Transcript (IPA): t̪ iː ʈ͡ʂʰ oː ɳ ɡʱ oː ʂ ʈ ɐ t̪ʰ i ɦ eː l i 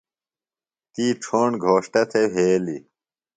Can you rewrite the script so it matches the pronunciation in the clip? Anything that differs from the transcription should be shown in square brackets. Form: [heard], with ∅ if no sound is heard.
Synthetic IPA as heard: t̪ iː ʈ͡ʂʰ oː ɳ ɡʱ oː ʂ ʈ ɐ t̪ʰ [e] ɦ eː l i